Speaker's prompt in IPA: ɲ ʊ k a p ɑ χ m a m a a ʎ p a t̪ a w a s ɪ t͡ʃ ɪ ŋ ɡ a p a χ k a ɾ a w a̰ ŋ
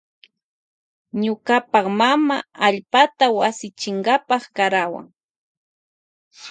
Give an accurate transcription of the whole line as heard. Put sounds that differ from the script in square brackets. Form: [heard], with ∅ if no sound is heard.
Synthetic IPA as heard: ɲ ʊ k a p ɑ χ m a m a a ʎ p a t̪ a w a s ɪ t͡ʃ ɪ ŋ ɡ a p [ɑ] χ k a ɾ a w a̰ ŋ